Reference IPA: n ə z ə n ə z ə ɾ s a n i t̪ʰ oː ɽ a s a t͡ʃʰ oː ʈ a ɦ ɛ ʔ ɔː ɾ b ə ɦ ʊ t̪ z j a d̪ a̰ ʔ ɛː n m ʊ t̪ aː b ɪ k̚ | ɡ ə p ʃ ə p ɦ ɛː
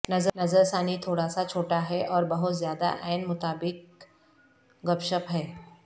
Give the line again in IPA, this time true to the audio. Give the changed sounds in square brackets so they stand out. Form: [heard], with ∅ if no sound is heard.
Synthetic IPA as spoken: n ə z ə n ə z ə ɾ s a n i t̪ʰ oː ɽ a s a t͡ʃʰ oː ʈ a ɦ ɛ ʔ ɔː ɾ b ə ɦ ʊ t̪ z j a d̪ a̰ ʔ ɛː n m ʊ t̪ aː b ɪ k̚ | ɡ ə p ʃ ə p ɦ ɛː